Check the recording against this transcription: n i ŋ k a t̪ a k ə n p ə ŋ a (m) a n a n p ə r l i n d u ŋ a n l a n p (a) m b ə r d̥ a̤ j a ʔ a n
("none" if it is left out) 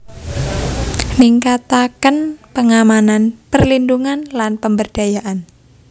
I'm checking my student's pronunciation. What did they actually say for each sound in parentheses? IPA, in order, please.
m, ə

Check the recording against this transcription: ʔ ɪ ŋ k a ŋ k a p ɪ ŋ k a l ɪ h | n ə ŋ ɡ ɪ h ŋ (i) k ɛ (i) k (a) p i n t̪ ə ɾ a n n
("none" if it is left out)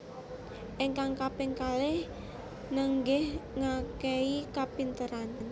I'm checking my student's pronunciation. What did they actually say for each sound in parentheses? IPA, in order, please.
a, i, a

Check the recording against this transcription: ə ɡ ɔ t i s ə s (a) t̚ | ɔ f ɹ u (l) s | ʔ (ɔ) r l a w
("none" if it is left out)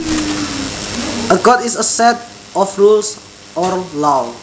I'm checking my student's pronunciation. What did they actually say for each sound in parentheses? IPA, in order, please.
ɛ, l, ɔ

